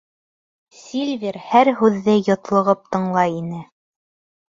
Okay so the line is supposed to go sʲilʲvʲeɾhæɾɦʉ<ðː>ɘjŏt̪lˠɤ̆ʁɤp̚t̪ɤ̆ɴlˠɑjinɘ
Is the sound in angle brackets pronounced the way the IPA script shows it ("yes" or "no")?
yes